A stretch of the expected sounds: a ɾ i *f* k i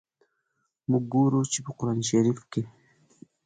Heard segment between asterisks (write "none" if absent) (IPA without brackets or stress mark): f